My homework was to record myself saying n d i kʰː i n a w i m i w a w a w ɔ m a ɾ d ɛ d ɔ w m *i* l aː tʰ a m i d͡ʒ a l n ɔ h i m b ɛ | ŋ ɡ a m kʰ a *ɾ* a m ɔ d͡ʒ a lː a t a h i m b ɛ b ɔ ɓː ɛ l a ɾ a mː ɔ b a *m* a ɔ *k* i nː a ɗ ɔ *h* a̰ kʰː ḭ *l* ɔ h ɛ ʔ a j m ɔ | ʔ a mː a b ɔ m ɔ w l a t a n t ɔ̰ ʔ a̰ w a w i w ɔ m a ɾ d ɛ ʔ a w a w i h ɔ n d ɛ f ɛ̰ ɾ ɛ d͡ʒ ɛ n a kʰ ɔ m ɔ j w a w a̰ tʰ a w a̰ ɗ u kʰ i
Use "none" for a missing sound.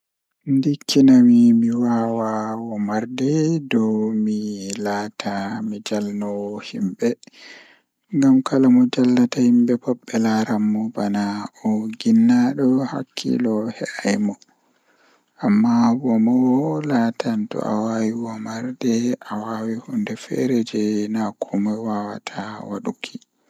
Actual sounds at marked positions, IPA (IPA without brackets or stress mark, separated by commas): i, l, n, ɡ, h, l